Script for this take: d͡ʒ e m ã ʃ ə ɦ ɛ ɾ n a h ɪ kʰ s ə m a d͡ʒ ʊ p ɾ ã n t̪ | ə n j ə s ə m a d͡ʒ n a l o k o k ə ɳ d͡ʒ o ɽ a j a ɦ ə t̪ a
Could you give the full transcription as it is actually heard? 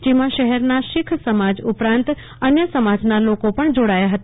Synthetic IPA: d͡ʒ e m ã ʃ ə ɦ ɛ ɾ n a ʃ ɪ kʰ s ə m a d͡ʒ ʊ p ɾ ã n t̪ | ə n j ə s ə m a d͡ʒ n a l o k o p ə ɳ d͡ʒ o ɽ a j a ɦ ə t̪ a